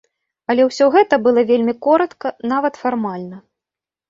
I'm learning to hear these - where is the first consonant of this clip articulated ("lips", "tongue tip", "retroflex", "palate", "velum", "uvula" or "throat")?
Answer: tongue tip